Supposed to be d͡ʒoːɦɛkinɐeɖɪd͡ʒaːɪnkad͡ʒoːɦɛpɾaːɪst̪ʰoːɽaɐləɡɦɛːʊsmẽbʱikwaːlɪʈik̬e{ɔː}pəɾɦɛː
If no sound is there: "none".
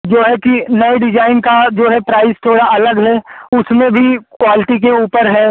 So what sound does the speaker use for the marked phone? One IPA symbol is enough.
uː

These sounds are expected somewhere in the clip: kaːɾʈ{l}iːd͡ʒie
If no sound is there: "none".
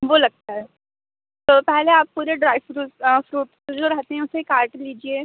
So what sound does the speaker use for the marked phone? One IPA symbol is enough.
l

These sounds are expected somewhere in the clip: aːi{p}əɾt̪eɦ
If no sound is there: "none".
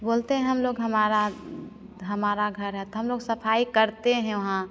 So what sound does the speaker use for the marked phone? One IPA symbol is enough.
k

